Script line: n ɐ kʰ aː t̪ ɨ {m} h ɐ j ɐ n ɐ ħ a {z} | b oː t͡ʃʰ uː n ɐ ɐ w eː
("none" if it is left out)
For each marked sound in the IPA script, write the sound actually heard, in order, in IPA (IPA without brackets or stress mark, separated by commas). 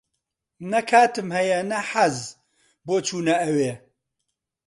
m, z